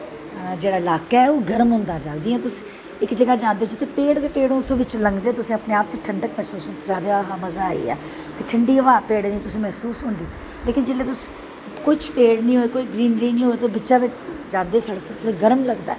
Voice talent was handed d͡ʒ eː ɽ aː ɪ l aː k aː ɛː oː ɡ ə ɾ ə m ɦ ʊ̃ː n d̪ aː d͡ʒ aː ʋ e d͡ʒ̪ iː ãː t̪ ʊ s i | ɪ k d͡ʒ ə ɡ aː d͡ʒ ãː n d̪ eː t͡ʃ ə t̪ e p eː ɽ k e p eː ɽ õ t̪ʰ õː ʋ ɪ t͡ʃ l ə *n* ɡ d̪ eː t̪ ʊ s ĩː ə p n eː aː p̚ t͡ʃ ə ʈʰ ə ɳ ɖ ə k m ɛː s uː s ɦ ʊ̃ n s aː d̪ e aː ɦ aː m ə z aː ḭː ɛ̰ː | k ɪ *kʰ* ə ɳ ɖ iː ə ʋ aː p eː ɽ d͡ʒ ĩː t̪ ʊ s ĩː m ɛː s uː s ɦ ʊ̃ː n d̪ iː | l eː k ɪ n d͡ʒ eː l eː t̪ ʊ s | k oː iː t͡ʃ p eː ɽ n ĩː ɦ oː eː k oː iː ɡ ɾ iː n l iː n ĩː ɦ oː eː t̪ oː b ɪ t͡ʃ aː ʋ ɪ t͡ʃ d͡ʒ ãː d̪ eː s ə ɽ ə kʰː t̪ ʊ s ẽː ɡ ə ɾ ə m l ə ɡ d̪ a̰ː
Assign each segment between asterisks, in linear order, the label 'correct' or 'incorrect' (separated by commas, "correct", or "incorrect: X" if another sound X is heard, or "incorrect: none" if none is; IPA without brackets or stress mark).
incorrect: ŋ, incorrect: ʈʰ